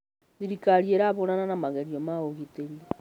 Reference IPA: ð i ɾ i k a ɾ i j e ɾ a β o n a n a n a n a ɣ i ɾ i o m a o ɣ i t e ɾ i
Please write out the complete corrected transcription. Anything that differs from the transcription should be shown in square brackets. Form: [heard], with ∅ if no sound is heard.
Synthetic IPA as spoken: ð i ɾ i k a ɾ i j e ɾ a β o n a n a n a [m] a ɣ [e] ɾ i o m a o ɣ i t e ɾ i